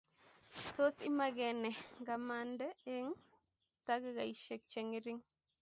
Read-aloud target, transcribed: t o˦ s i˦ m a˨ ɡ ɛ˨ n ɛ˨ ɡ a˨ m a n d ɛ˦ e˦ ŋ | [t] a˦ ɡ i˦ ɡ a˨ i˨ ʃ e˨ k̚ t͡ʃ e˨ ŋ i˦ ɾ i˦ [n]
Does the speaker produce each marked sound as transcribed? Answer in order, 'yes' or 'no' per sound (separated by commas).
yes, no